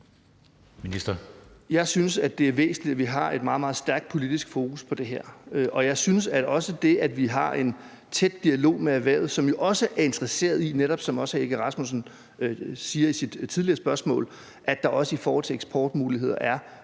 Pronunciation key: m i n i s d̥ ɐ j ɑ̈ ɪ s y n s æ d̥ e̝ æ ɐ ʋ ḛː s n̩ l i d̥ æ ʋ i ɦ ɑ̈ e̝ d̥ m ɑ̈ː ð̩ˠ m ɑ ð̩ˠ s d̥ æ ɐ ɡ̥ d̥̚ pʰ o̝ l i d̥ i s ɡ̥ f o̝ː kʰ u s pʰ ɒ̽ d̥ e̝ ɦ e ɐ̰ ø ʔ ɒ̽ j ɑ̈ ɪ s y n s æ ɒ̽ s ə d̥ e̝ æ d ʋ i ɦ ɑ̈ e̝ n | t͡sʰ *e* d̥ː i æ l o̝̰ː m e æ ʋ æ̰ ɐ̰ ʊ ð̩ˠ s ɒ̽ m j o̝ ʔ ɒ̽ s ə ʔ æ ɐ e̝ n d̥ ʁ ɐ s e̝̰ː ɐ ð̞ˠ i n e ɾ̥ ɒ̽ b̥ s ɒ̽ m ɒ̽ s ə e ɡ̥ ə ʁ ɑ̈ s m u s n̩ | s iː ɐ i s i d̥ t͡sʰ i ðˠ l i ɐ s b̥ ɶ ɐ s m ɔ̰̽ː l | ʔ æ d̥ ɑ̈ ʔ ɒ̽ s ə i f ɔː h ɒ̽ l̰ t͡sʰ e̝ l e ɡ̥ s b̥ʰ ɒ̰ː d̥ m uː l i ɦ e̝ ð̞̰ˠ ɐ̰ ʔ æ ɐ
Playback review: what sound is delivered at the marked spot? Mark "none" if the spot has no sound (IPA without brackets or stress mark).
e